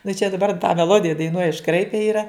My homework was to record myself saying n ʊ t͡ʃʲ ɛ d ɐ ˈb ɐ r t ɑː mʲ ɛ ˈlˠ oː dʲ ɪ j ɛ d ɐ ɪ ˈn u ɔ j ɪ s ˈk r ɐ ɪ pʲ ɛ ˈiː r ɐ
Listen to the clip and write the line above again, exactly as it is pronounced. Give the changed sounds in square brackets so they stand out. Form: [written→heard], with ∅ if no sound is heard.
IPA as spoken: n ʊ t͡ʃʲ ɛ d ɐ ˈb ɐ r t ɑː mʲ ɛ ˈlˠ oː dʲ ɪ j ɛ d ɐ ɪ ˈn u ɔ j ɪ [s→ʃ] ˈk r ɐ ɪ pʲ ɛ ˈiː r ɐ